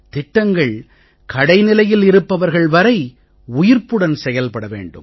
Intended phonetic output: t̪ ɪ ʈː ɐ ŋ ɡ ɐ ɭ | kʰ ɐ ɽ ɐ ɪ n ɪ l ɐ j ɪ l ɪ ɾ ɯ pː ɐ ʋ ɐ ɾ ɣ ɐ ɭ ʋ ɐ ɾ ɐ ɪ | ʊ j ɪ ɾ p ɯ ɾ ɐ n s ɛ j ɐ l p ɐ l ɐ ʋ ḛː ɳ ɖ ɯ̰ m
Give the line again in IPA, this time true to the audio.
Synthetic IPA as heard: t̪ ɪ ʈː ɐ ŋ ɡ ɐ ɭ | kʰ ɐ ɽ ɐ ɪ n ɪ l ɐ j ɪ l ɪ ɾ ɯ pː ɐ ʋ ɐ ɾ ɣ ɐ ɭ ʋ ɐ ɾ ɐ ɪ | ʊ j ɪ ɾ p ɯ ɽ ɐ n s ɛ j ɐ l p ɐ ɽ ɐ ʋ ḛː ɳ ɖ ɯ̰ m

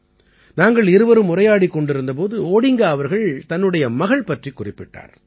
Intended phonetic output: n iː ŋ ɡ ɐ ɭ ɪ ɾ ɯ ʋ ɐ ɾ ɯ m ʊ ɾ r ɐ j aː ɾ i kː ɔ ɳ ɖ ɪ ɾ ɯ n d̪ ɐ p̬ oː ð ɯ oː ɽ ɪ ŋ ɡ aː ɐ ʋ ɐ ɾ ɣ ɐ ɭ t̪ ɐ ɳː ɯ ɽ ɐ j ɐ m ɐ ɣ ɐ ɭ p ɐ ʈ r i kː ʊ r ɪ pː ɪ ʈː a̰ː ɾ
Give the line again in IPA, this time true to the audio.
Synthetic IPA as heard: n aː ŋ ɡ ɐ ɭ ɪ ɾ ɯ ʋ ɐ ɾ ɯ m ʊ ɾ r ɐ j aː ɽ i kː ɔ ɳ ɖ ɪ ɾ ɯ n d̪ ɐ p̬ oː ð ɯ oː ɽ ɪ ŋ ɡ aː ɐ ʋ ɐ ɾ ɣ ɐ ɭ t̪ ɐ nː ɯ ɽ ɐ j ɐ m ɐ ɣ ɐ ɭ p ɐ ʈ r i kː ʊ r ɪ pː ɪ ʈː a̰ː ɾ

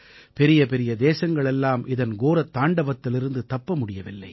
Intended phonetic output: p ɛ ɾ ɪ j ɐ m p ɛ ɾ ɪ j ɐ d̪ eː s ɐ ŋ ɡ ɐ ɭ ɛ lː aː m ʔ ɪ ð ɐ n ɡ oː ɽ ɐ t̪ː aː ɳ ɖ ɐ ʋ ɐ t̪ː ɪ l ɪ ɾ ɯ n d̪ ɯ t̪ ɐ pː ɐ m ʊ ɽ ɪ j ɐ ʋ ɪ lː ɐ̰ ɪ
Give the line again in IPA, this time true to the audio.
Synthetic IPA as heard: p ɛ ɾ ɪ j ɐ p ɛ ɾ ɪ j ɐ d̪ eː s ɐ ŋ ɡ ɐ ɭ ɛ lː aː m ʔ ɪ ð ɐ n ɡ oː ɾ ɐ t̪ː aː ɳ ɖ ɐ ʋ ɐ t̪ː ɪ l ɪ ɾ ɯ n d̪ ɯ t̪ ɐ pː ɐ m ʊ ɽ ɪ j ɐ ʋ ɪ lː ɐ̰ ɪ

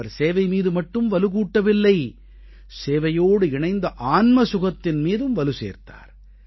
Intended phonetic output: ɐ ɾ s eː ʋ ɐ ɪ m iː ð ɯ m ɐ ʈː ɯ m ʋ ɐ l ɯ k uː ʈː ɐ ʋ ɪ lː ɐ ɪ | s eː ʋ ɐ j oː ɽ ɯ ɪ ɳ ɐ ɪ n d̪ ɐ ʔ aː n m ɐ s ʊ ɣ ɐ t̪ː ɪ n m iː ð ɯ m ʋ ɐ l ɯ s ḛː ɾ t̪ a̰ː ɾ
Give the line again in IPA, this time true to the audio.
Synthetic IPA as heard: ɐ ɾ s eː ʋ ɐ ɪ m iː ð ɯ m ɐ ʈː ɯ m ʋ ɐ l ɯ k uː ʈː ɐ ʋ ɪ lː ɐ ɪ | s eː ʋ ɐ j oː ɽ ɯ ɪ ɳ ɐ ɪ n d̪ ɐ ʔ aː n m ɐ s ʊ ɣ ɐ t̪ː ɪ n m iː ð ɯ m ʋ ɐ l ɯ s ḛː ɾ t̪ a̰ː ɾ

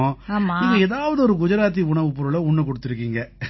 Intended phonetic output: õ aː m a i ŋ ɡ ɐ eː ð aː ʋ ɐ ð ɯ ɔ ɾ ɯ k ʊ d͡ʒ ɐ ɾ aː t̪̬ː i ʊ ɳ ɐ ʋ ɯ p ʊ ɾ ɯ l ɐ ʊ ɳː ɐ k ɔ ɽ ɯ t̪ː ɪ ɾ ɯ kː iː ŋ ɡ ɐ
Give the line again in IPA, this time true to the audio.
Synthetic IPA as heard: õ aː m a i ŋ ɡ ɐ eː ð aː ʋ ɐ ð ɯ ɔ ɾ ɯ k ʊ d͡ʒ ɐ ɾ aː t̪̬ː i ʊ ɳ ɐ ʋ ɯ p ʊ ɾ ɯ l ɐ ʊ ɳː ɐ k ɔ ɽ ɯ t̪ː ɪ ɾ ɯ kː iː ŋ ɡ ɐ

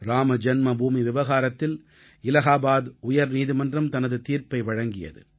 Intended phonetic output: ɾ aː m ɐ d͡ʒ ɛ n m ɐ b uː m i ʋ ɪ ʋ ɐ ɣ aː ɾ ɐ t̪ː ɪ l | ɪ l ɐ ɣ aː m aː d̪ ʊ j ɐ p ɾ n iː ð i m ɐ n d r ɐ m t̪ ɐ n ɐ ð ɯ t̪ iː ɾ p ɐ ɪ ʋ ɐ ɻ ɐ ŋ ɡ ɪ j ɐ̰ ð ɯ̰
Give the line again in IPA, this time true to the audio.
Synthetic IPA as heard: ɾ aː m ɐ d͡ʒ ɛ n m ɐ b uː m i ʋ ɪ ʋ ɐ ɣ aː ɾ ɐ t̪ː ɪ l | ɪ l ɐ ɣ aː b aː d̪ ʊ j ɐ ɾ n iː ð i m ɐ n d r ɐ m t̪ ɐ n ɐ ð ɯ t̪ iː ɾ p ɐ ɪ ʋ ɐ ɻ ɐ ŋ ɡ ɪ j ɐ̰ ð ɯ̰

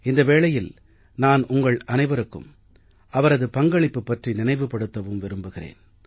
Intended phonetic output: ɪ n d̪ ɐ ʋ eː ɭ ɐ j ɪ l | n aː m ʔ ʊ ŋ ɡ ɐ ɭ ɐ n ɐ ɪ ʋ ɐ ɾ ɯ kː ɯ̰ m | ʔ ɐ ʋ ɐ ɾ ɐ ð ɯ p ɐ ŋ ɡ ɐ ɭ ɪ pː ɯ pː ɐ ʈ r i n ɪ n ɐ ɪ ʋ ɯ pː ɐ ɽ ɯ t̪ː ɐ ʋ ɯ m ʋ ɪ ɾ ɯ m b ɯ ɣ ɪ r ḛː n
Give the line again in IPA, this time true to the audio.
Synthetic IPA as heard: ɪ n d̪ ɐ ʋ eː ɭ ɐ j ɪ l | n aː n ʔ ʊ ŋ ɡ ɐ ɭ ɐ n ɐ ɪ ʋ ɐ ɾ ɯ kː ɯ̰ m | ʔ ɐ ʋ ɐ ɾ ɐ ð ɯ p ɐ ŋ ɡ ɐ ɭ ɪ pː ɯ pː ɐ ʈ r i n ɪ n ɐ ɪ ʋ ɯ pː ɐ ɽ ɯ t̪ː ɐ ʋ ɯ m ʋ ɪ ɾ ɯ m b ɯ ɣ ɪ r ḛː n

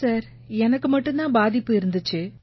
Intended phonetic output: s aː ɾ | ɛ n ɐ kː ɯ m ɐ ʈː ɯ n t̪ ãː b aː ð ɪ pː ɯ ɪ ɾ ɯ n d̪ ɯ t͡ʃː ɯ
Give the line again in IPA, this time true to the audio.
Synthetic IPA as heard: s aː ɾ | ɛ n ɐ kː ɯ m ɐ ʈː ɯ n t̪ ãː b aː ð ɪ pː ɯ ɪ ɾ ɯ n d̪ ɯ t͡ʃː ɯ

